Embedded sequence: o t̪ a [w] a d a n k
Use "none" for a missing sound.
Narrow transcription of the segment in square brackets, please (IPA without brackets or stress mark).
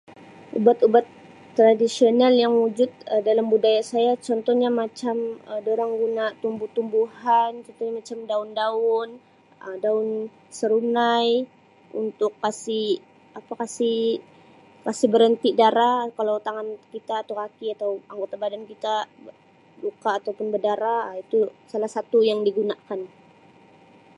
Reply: b